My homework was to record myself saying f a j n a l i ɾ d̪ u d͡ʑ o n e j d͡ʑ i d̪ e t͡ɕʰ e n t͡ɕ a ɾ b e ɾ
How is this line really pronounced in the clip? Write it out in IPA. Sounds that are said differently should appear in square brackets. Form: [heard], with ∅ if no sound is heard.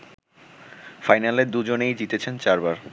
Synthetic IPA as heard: f a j n a l [e] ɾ d̪ u d͡ʑ o n e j d͡ʑ i [t̪] e t͡ɕʰ e n t͡ɕ a ɾ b [a] ɾ